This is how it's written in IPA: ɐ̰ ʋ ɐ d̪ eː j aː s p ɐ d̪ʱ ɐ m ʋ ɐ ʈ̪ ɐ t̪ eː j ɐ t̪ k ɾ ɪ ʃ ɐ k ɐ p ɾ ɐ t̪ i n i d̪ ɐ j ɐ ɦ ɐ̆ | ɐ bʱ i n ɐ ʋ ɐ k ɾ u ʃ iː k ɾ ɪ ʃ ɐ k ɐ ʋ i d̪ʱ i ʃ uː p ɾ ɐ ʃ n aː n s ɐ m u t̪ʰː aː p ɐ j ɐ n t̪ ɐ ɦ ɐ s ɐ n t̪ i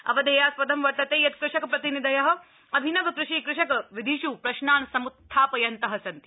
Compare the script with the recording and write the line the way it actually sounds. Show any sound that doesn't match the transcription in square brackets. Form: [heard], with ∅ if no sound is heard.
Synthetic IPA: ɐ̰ ʋ ɐ d̪ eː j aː s p ɐ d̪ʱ ɐ m ʋ ɐ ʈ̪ ɐ t̪ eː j ɐ t̪ k ɾ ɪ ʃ ɐ k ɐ p ɾ ɐ t̪ i n i d̪ ɐ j ɐ ɦ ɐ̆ | ɐ bʱ i n ɐ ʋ ɐ k ɾ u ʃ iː k ɾ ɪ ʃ ɐ k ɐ ʋ i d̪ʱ i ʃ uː p ɾ ɐ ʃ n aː n s ɐ m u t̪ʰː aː p ɐ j ɐ n t̪ ɐ ɦ ɐ s ɐ n t̪ i